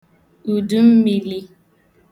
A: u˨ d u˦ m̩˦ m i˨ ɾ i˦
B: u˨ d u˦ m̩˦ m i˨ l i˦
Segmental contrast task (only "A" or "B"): B